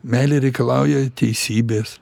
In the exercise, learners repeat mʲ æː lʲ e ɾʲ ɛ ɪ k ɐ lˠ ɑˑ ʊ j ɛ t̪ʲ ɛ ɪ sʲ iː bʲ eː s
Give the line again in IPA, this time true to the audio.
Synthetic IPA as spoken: mʲ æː lʲ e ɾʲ ɛ ɪ k ɐ lˠ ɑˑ ʊ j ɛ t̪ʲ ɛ ɪ sʲ iː bʲ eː s